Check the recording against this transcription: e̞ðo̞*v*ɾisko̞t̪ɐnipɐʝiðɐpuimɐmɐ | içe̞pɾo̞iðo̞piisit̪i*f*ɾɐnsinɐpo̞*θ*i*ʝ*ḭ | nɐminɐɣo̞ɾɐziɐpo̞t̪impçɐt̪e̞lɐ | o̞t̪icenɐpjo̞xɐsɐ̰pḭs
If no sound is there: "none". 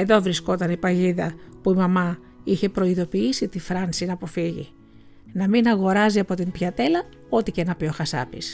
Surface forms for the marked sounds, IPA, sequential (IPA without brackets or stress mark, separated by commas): v, f, f, ʝ